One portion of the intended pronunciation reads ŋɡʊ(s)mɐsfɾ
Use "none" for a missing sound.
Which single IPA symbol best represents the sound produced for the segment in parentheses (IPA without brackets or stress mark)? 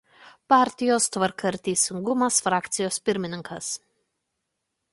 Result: none